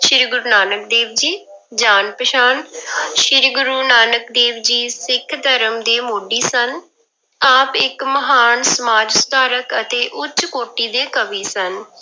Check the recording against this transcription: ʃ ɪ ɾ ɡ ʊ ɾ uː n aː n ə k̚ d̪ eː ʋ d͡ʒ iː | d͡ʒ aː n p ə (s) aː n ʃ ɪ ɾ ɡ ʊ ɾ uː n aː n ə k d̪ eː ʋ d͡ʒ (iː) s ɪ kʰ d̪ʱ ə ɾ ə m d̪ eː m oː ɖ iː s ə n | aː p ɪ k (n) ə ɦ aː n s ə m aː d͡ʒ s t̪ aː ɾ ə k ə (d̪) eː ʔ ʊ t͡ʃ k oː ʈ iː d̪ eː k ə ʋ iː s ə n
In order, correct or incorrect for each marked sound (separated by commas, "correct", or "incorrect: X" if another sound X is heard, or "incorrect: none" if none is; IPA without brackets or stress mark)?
incorrect: ʃ, correct, incorrect: m, incorrect: t̪